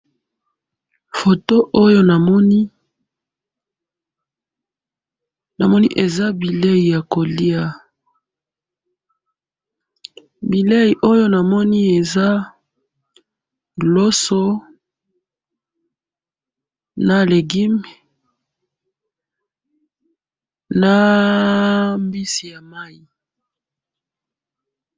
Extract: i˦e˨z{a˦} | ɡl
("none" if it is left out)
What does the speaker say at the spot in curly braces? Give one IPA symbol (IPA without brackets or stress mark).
a˦